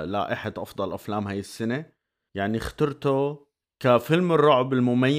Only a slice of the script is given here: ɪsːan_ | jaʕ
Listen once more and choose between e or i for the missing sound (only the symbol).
e